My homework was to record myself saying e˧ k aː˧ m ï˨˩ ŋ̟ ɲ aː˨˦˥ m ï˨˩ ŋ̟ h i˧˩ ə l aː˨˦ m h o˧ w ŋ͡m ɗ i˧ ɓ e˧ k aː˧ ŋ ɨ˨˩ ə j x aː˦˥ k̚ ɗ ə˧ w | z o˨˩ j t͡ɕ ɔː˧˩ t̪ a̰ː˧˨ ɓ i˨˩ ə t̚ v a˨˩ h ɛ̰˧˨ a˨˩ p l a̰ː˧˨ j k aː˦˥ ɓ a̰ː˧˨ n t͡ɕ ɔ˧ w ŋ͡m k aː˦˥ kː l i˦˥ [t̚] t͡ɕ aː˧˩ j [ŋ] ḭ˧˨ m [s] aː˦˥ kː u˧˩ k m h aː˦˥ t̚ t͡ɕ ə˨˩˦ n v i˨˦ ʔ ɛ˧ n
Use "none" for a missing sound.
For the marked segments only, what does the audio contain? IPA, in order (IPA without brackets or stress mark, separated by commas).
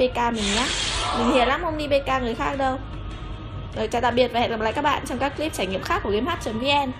p̚, ŋ, x